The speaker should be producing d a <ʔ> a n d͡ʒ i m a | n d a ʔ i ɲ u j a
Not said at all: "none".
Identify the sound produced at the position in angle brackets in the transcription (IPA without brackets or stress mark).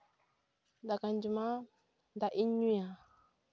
k